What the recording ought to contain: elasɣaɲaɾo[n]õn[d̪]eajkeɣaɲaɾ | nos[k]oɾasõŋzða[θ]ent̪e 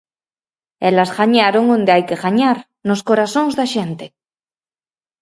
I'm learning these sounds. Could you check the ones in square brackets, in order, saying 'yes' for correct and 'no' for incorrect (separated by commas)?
no, yes, yes, no